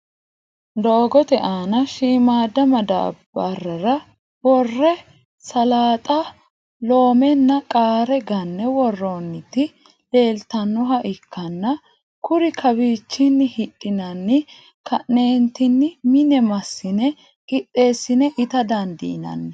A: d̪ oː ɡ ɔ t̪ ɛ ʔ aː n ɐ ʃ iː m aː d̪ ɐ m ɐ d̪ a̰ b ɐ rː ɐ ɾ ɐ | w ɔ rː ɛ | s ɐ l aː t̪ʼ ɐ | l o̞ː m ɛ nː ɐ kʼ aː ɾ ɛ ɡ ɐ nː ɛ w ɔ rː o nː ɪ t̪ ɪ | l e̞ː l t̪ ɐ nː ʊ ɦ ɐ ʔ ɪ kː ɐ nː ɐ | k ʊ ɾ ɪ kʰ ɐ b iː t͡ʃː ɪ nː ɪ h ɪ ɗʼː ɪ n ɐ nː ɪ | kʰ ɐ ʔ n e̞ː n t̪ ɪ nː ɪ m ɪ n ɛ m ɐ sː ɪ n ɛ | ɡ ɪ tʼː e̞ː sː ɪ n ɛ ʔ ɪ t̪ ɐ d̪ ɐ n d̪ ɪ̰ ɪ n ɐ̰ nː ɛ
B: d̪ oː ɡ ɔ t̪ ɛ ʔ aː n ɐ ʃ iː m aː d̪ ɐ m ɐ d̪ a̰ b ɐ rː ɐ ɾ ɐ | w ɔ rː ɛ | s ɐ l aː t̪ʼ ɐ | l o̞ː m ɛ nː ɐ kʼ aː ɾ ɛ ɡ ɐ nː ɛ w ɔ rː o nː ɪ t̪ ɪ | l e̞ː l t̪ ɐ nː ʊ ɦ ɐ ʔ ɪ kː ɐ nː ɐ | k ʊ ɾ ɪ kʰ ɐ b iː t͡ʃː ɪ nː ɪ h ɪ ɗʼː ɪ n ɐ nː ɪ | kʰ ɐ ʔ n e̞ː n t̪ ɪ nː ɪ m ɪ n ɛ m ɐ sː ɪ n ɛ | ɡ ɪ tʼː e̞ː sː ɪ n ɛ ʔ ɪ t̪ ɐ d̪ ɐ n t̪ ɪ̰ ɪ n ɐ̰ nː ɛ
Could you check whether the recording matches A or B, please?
A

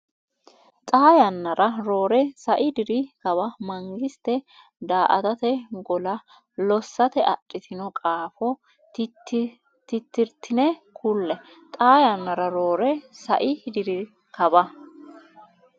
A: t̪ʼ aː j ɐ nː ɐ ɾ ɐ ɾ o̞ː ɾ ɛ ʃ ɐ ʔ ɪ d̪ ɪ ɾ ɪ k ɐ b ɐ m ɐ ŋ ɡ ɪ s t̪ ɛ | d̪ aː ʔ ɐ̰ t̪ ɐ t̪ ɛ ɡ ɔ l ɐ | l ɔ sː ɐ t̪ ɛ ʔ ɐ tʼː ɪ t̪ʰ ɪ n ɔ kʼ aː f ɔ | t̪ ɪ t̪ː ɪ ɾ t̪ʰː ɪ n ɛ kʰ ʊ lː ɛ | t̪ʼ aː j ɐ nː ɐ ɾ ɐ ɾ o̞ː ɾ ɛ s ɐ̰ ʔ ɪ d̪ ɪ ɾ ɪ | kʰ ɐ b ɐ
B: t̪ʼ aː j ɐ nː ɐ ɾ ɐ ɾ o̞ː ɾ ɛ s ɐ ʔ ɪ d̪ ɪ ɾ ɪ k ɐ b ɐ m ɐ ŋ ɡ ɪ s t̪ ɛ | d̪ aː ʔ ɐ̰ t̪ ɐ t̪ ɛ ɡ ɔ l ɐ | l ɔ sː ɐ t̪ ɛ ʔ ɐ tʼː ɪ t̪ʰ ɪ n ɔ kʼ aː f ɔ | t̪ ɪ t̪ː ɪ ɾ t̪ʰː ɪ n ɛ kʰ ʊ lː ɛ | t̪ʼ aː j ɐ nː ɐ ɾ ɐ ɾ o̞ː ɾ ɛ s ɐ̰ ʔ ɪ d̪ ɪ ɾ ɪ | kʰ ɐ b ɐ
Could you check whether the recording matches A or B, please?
B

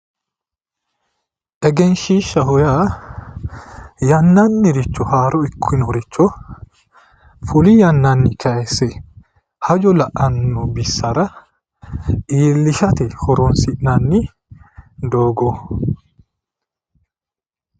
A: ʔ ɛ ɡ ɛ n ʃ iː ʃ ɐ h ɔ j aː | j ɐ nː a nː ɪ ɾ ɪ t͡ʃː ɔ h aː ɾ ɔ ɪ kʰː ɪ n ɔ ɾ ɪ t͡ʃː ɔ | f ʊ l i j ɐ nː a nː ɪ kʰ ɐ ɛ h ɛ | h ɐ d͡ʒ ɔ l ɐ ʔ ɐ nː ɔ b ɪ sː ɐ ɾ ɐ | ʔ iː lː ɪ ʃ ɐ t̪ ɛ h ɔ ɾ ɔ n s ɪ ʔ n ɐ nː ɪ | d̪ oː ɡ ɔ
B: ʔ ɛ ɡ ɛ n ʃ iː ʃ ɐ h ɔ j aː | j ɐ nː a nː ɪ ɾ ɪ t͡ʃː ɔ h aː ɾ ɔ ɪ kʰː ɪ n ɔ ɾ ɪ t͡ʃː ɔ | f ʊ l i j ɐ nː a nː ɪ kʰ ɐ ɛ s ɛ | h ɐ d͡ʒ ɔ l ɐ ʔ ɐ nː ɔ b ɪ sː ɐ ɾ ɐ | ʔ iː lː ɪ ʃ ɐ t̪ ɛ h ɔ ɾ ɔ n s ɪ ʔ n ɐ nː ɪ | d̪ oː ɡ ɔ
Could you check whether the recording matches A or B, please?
B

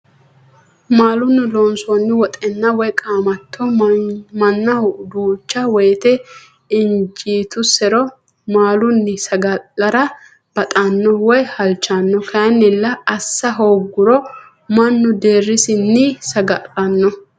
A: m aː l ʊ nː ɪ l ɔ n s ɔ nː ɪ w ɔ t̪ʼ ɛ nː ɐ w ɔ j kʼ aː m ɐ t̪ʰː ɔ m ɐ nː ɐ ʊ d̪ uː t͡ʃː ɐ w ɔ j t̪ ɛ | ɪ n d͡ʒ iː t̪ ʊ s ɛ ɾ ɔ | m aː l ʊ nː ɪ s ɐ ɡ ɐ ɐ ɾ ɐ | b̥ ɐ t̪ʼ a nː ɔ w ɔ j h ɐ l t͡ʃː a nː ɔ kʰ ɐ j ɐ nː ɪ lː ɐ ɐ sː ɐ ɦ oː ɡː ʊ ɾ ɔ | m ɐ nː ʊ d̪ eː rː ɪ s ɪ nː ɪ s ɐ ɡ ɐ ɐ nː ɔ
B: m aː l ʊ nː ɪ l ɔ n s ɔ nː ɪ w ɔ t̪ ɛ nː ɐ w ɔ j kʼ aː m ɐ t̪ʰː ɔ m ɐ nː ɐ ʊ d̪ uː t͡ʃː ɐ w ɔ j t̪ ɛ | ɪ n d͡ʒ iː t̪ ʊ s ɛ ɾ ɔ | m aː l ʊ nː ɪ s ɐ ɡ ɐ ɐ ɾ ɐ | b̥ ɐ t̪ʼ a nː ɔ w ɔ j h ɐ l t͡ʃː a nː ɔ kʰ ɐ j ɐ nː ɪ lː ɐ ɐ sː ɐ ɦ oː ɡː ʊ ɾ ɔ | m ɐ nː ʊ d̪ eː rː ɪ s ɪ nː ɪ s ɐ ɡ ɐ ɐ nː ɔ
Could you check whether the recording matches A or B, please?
A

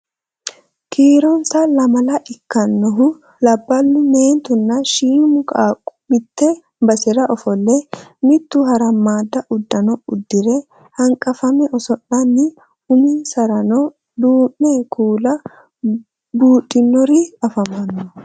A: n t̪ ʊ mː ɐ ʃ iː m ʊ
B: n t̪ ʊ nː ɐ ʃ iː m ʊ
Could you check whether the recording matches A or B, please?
B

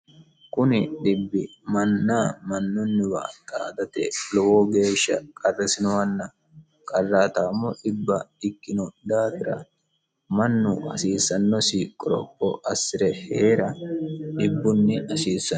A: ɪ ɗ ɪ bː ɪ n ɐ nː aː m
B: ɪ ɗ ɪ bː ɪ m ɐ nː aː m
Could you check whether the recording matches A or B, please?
B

